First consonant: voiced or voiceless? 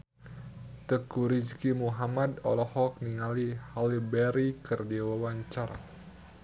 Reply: voiceless